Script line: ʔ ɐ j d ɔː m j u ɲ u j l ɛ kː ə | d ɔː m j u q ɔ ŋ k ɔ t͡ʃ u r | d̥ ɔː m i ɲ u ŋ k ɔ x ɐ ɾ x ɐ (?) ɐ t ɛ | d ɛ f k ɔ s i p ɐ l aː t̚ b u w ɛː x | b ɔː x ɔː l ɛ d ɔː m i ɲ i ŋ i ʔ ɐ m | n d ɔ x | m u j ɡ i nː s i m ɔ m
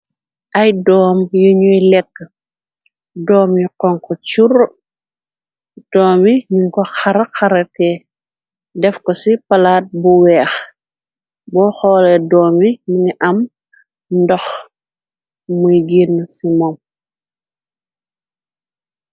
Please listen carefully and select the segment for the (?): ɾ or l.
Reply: ɾ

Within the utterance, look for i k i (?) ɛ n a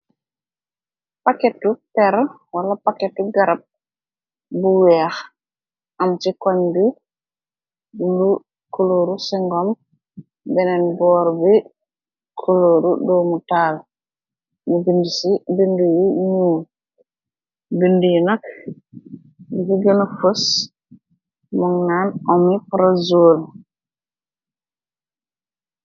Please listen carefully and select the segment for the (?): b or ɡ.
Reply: ɡ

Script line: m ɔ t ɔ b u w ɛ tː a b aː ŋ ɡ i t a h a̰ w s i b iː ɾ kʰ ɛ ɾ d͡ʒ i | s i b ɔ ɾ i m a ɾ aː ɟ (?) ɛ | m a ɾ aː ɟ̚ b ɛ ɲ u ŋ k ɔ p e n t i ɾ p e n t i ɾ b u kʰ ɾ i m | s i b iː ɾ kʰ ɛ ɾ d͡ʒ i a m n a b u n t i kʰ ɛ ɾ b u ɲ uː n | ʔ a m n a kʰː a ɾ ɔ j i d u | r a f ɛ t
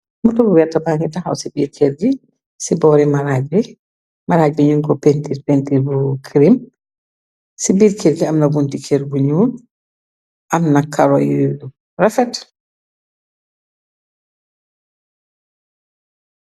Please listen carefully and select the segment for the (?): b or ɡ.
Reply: b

